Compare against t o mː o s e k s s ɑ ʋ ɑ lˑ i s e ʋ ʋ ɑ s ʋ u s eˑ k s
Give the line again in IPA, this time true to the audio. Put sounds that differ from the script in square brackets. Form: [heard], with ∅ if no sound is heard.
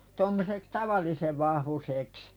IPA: t o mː o s e k s [t] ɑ ʋ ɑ lˑ i s e ʋ ʋ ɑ [h] ʋ u s eˑ k s